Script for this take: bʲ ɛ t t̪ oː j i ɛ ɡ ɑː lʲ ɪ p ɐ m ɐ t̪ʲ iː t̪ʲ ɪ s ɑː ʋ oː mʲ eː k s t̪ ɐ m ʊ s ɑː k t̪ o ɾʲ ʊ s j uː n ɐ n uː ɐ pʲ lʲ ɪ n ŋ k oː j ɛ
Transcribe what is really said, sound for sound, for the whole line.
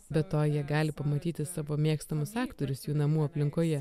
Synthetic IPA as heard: bʲ ɛ t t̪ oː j i ɛ ɡ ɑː lʲ ɪ p ɐ m ɐ t̪ʲ iː t̪ʲ ɪ s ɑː ʋ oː mʲ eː k s t̪ ɐ m ʊ s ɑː k t̪ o ɾʲ ʊ s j uː n ɐ m uː ɐ pʲ lʲ ɪ ŋ k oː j ɛ